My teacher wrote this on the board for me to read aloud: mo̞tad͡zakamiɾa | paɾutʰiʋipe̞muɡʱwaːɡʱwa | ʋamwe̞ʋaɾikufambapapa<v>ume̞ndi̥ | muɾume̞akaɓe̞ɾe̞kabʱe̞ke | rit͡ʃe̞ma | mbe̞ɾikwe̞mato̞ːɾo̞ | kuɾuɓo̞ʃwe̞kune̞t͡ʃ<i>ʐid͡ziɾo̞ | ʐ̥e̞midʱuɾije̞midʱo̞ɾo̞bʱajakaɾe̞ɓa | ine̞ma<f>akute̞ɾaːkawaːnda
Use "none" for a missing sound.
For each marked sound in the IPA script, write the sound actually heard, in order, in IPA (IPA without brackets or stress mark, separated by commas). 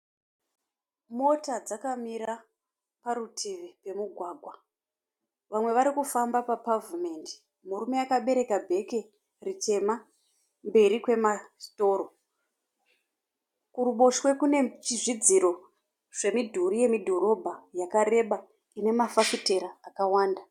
v, i, f